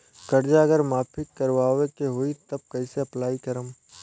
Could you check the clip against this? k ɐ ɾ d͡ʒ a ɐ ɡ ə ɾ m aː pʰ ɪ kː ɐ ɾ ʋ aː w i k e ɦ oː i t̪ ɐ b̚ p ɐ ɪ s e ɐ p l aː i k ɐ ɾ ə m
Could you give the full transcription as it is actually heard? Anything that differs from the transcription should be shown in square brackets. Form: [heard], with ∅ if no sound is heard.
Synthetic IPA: k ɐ ɾ d͡ʒ a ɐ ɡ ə ɾ m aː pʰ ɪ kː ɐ ɾ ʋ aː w [e] k e ɦ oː i t̪ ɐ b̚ [k] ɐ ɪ s e ɐ p l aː i k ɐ ɾ ə m